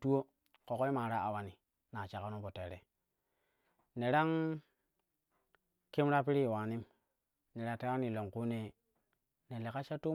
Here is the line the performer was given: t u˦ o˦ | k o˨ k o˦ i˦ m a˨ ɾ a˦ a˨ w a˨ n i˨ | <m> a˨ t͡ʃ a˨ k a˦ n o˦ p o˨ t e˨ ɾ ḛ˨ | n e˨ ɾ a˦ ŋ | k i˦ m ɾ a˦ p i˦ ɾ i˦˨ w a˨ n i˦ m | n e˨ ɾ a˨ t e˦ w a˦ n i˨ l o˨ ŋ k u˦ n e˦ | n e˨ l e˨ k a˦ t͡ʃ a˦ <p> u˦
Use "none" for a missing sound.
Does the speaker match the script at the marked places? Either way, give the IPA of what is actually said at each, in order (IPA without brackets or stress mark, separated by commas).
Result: n, t